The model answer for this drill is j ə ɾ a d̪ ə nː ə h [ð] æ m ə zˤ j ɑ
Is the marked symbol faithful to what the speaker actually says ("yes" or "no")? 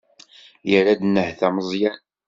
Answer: no